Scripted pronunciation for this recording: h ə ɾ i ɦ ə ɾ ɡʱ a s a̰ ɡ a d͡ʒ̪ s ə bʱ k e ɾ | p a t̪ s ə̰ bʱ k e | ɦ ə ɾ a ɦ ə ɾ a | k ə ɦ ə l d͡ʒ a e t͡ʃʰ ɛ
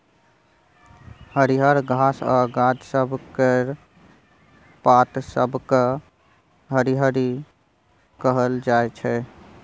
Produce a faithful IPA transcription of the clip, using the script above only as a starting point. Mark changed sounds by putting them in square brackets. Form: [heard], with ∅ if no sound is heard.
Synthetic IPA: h ə ɾ i ɦ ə ɾ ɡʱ a s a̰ ɡ a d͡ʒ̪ s ə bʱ k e ɾ | p a t̪ s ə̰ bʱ k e | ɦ ə ɾ [i] ɦ ə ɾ [i] | k ə ɦ ə l d͡ʒ a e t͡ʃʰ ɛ